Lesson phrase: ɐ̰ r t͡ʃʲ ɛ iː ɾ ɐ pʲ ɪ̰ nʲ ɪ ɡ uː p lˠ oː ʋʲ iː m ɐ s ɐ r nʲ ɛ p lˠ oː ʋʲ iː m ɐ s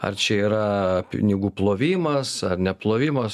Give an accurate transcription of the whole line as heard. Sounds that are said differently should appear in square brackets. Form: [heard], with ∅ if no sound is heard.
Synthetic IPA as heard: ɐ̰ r t͡ʃʲ ɛ iː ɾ ɐ pʲ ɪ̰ nʲ ɪ ɡ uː p lˠ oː ʋʲ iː m ɐ s ɐ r nʲ ɛ p lˠ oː ʋʲ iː m ɐ s

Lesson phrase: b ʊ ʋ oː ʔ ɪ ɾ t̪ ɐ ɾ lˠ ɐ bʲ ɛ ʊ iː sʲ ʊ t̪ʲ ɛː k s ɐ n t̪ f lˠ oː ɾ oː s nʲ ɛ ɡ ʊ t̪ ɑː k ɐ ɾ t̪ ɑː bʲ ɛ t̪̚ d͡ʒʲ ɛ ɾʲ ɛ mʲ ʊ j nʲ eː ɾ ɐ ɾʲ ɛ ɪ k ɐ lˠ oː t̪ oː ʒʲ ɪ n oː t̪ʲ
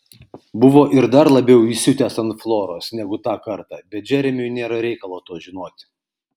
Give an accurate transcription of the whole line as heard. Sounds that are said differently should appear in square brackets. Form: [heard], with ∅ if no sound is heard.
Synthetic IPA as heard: b ʊ ʋ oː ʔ ɪ ɾ [d̪] ɐ ɾ lˠ ɐ bʲ ɛ ʊ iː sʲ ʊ t̪ʲ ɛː [∅] s ɐ n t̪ f lˠ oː ɾ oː s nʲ ɛ ɡ ʊ t̪ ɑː k ɐ ɾ t̪ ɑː bʲ ɛ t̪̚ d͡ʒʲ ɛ ɾʲ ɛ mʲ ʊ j nʲ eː ɾ ɐ ɾʲ ɛ ɪ k ɐ lˠ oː t̪ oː ʒʲ ɪ n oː t̪ʲ

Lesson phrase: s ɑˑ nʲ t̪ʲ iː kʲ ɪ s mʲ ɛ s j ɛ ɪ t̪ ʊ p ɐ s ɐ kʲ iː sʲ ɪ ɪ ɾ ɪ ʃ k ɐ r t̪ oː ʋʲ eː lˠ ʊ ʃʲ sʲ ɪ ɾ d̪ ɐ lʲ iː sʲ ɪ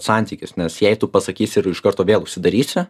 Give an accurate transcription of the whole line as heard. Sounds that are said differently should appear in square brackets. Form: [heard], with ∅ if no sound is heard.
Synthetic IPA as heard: s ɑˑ nʲ t̪ʲ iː kʲ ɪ s [nʲ] ɛ s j ɛ ɪ t̪ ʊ p ɐ s ɐ kʲ iː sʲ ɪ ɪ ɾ ɪ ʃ k ɐ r t̪ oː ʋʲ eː lˠ ʊ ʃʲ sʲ ɪ [∅] d̪ ɐ [ɾʲ] iː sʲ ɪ

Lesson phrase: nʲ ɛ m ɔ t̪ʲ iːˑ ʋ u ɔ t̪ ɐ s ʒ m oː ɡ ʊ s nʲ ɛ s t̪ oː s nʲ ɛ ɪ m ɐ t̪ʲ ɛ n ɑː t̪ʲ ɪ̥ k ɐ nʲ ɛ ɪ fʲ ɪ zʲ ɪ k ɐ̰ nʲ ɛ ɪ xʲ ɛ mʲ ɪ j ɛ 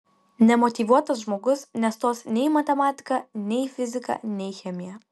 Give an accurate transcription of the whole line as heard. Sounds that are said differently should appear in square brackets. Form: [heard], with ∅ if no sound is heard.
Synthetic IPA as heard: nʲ ɛ m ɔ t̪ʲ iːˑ ʋ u ɔ t̪ ɐ s ʒ m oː ɡ ʊ s nʲ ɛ s t̪ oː s nʲ ɛ ɪ m ɐ t̪ʲ ɛ [m] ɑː t̪ʲ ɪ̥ k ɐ nʲ ɛ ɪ fʲ ɪ zʲ ɪ k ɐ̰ nʲ ɛ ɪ xʲ ɛ mʲ ɪ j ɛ

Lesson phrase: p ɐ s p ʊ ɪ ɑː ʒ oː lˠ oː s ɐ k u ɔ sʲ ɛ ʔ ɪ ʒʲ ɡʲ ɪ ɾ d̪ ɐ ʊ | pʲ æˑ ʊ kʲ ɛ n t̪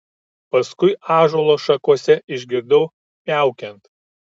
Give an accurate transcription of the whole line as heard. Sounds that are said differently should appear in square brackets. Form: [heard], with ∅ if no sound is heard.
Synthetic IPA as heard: p ɐ s [k] ʊ ɪ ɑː ʒ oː lˠ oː [ʃ] ɐ k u ɔ sʲ ɛ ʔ ɪ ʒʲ ɡʲ ɪ ɾ d̪ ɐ ʊ | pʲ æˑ ʊ kʲ ɛ n t̪

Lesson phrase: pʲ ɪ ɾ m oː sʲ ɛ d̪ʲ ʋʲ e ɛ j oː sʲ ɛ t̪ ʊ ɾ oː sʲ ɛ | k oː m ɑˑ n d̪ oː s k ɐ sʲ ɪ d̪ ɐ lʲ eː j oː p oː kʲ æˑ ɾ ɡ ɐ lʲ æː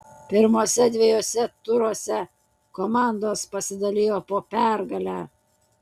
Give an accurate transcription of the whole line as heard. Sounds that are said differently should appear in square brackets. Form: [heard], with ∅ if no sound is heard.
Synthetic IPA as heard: pʲ ɪ ɾ m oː sʲ ɛ d̪ʲ ʋʲ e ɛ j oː sʲ ɛ t̪ ʊ ɾ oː sʲ ɛ | k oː m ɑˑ n d̪ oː s [p] ɐ sʲ ɪ d̪ ɐ lʲ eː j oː p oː [pʲ] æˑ ɾ ɡ ɐ lʲ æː

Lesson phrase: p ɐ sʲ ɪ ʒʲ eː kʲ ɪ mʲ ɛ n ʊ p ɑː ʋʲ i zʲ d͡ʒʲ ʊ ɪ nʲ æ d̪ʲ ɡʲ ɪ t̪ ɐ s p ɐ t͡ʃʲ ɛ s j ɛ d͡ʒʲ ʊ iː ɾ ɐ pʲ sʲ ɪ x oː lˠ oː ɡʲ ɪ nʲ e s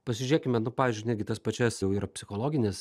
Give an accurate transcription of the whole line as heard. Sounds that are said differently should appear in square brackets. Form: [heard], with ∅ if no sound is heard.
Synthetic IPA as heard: p ɐ sʲ ɪ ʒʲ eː kʲ ɪ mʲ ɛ n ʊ p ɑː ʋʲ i zʲ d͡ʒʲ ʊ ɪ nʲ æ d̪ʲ ɡʲ ɪ t̪ ɐ s p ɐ t͡ʃʲ ɛ s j ɛ [∅] ʊ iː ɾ ɐ pʲ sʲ ɪ x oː lˠ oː ɡʲ ɪ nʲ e s

